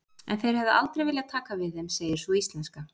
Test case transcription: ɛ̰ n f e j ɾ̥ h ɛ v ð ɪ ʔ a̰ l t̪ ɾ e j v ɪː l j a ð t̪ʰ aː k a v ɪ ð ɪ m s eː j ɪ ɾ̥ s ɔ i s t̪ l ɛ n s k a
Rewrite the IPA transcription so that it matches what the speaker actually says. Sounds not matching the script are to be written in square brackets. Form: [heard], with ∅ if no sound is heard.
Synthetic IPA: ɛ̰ n [θ] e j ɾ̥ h ɛ v ð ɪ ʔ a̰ l t̪ ɾ e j v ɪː l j a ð t̪ʰ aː k a v ɪ ð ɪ m s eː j ɪ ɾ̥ s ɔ i s t̪ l ɛ n s k a